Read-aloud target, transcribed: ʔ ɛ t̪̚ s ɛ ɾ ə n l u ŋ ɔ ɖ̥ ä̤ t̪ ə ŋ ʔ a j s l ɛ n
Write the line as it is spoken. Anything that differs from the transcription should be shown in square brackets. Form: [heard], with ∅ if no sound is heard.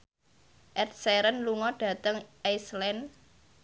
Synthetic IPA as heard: ʔ ɛ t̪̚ s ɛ ɾ ə n l u ŋ ɔ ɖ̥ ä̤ t̪ ə ŋ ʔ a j s l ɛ n